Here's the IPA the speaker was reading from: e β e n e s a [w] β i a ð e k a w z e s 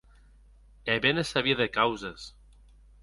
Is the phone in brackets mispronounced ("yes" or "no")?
yes